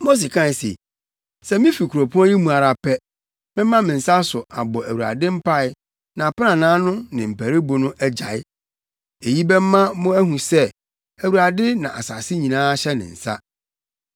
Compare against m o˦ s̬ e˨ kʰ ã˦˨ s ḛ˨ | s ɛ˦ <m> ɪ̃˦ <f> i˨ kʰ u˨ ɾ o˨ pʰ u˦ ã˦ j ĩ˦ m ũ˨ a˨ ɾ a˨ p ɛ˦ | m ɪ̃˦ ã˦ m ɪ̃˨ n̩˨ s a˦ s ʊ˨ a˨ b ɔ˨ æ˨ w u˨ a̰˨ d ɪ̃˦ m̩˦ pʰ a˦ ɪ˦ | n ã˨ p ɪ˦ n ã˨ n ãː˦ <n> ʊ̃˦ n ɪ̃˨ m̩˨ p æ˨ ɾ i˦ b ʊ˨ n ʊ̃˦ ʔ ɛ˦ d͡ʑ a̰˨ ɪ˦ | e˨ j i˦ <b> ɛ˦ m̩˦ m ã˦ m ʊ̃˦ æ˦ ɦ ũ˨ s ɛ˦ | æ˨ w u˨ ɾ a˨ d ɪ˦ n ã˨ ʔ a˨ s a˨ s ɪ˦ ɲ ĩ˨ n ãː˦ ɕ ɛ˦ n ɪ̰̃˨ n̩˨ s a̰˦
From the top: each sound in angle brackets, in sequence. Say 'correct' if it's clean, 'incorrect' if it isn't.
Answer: correct, correct, correct, correct

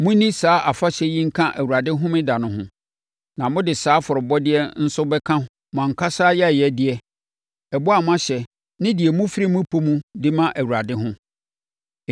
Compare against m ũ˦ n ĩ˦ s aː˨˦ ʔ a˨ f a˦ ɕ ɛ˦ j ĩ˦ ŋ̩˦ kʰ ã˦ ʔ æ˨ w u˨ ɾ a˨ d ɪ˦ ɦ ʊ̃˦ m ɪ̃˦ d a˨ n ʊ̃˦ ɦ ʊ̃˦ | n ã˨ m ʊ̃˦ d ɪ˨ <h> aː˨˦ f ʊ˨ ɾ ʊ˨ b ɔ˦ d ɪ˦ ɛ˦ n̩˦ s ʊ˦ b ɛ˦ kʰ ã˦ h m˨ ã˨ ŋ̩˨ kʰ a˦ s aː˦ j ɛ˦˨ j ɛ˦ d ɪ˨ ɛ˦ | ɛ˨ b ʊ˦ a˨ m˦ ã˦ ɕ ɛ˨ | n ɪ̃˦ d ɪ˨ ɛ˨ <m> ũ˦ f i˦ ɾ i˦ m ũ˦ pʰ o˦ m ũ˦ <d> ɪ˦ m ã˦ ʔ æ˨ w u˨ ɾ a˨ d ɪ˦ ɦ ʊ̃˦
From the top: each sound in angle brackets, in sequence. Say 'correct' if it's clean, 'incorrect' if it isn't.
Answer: incorrect: s, correct, correct

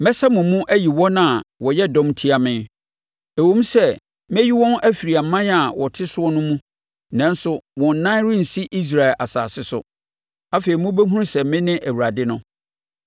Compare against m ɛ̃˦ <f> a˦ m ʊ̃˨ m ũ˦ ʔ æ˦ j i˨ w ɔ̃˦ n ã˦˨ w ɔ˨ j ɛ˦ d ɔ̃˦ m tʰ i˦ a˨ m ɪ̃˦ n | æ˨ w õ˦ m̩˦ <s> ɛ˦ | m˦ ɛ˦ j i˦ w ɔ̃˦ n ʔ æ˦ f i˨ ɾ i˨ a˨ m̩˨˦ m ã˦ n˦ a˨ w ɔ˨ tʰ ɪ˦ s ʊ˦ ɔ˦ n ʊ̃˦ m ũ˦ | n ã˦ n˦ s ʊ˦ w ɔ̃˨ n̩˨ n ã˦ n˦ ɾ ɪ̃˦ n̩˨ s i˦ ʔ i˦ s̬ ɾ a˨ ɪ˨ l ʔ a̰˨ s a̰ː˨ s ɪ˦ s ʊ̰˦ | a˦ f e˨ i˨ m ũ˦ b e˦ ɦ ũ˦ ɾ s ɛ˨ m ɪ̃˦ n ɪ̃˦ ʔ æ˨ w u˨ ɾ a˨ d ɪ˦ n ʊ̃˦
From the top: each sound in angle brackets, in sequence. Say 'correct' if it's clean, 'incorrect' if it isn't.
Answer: incorrect: s, correct

